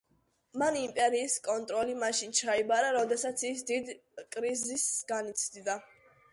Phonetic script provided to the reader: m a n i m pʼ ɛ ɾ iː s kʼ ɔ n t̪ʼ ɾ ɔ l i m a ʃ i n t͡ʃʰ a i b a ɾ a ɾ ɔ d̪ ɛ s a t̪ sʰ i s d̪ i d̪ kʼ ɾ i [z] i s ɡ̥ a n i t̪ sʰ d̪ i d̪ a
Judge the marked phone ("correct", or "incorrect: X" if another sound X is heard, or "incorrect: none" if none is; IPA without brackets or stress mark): correct